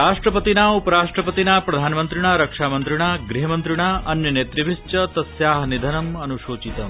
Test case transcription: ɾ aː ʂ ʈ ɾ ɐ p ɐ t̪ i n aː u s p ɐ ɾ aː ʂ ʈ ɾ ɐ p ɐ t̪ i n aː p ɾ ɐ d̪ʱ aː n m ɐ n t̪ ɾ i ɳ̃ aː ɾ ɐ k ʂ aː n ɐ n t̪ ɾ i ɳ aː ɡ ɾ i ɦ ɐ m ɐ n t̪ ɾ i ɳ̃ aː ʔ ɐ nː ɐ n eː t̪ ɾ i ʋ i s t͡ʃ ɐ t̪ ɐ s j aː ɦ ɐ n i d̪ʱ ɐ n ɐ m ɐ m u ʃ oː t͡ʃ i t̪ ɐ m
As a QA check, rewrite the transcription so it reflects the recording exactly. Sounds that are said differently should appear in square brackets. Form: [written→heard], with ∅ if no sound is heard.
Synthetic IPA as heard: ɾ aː ʂ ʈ ɾ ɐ p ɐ t̪ i n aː u [s→∅] p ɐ ɾ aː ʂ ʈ ɾ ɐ p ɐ t̪ i n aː p ɾ ɐ d̪ʱ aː n m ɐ n t̪ ɾ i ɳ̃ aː ɾ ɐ k ʂ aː [n→m] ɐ n t̪ ɾ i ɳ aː ɡ ɾ i ɦ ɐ m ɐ n t̪ ɾ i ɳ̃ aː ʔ ɐ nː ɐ n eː t̪ ɾ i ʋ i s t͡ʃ ɐ t̪ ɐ s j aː ɦ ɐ n i d̪ʱ ɐ n ɐ m ɐ [m→n] u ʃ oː t͡ʃ i t̪ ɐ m